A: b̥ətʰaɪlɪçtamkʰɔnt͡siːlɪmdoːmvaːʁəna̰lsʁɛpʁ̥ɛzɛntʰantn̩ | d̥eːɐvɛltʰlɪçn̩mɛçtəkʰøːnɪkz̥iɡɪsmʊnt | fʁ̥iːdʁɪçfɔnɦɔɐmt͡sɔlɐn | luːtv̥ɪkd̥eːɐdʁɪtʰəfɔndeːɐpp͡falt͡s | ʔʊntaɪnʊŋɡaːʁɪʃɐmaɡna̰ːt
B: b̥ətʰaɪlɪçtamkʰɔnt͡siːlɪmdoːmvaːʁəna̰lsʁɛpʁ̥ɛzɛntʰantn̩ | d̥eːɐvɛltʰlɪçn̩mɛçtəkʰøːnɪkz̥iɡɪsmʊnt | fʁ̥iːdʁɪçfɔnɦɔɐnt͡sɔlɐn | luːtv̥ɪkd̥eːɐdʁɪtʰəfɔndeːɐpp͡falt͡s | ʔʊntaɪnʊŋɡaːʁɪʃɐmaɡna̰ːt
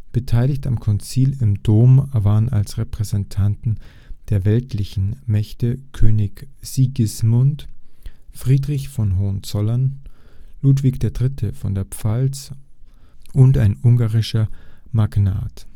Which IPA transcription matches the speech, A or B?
B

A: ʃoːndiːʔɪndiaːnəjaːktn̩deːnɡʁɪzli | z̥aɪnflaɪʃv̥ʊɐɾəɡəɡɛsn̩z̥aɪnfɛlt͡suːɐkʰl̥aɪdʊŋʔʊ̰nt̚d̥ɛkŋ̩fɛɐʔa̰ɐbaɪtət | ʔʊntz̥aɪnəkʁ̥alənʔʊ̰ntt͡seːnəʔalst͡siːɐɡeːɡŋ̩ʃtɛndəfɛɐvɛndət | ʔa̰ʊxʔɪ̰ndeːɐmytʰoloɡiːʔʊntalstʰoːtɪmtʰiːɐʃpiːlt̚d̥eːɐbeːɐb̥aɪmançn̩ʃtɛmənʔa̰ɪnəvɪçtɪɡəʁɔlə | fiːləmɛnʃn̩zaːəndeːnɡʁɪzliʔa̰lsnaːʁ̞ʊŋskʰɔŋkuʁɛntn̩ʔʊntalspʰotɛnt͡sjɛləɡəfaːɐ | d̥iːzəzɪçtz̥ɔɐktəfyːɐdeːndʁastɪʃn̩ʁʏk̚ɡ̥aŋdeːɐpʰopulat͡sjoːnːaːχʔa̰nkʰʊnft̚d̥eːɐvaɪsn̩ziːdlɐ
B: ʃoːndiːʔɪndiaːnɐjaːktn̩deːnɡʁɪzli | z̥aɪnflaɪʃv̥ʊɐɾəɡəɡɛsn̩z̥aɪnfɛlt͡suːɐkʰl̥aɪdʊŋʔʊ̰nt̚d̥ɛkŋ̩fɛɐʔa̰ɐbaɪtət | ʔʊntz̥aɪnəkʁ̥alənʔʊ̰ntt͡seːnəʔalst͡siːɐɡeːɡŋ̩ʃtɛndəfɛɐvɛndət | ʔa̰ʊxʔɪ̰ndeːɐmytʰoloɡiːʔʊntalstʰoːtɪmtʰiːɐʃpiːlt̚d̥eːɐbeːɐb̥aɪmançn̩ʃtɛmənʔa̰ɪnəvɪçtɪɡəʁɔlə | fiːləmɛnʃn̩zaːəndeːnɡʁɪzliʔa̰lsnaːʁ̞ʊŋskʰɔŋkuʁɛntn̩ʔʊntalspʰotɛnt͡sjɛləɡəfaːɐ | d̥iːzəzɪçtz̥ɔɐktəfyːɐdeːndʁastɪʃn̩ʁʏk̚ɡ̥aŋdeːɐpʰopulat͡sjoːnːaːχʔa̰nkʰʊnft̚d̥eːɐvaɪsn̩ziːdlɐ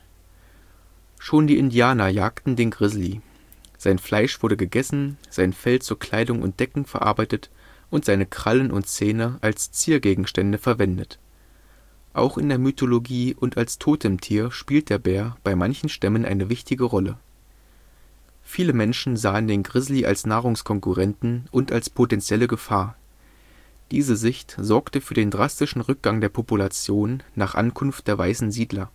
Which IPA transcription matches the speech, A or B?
B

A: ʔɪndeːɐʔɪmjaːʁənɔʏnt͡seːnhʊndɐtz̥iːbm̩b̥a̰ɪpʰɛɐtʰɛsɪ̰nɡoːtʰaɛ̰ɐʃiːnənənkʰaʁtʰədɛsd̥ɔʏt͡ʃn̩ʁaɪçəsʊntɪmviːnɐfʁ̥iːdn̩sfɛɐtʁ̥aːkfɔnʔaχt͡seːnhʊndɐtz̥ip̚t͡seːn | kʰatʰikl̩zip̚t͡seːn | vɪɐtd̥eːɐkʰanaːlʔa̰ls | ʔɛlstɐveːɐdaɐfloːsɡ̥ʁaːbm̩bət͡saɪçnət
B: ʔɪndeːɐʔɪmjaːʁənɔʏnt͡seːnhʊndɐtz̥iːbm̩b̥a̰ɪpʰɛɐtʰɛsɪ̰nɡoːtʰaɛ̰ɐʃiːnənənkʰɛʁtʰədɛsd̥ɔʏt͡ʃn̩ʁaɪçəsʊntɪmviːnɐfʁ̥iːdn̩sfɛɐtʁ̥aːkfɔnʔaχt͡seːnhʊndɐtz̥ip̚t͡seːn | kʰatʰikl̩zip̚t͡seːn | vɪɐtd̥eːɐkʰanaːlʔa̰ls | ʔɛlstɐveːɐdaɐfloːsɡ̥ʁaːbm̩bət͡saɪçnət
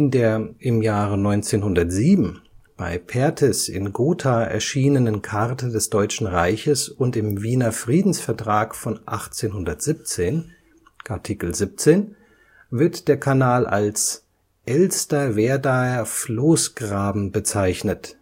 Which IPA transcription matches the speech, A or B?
A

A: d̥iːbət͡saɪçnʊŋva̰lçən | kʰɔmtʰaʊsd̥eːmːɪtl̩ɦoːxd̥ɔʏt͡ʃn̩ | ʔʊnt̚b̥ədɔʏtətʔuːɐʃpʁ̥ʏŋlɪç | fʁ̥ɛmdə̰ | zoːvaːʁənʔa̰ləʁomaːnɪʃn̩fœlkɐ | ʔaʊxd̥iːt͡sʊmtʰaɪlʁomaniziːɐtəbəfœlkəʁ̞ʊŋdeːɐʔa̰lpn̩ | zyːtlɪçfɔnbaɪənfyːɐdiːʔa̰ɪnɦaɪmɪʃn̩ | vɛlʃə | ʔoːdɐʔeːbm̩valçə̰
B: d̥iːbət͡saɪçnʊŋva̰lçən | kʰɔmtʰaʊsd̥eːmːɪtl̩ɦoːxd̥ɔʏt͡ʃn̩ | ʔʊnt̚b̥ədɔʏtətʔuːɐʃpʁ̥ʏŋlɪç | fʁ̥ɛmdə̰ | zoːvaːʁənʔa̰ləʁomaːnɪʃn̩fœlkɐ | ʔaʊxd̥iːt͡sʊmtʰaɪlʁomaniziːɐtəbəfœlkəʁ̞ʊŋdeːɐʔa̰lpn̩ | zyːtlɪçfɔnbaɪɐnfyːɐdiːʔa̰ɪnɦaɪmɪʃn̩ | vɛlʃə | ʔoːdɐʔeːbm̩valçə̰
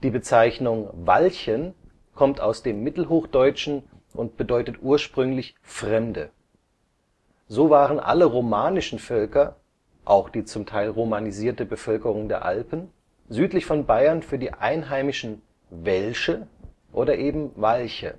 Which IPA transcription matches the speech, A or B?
B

